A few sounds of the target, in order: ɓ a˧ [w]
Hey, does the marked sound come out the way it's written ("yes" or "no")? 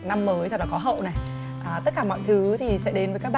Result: no